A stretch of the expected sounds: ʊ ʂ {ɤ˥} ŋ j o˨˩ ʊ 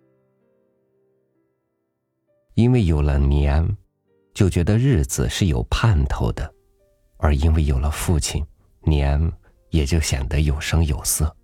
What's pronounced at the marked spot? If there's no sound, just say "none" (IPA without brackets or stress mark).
ɤ˥